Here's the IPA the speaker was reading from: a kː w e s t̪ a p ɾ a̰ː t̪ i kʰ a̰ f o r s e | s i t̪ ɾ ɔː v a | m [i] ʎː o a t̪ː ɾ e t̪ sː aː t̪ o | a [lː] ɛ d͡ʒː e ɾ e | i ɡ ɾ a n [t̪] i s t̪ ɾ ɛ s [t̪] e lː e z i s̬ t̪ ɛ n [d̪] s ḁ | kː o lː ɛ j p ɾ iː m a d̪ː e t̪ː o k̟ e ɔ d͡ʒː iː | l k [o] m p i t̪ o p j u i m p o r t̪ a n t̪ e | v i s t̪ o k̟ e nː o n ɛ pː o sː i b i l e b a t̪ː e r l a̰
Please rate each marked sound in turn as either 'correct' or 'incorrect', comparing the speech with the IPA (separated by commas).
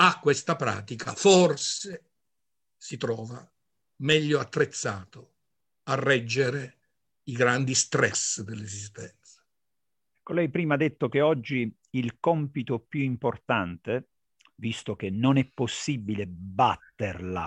incorrect, incorrect, incorrect, incorrect, incorrect, incorrect